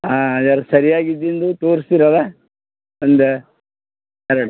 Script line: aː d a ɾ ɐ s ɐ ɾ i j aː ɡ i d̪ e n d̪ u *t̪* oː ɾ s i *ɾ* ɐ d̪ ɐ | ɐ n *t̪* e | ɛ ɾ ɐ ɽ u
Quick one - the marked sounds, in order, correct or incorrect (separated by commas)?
correct, correct, incorrect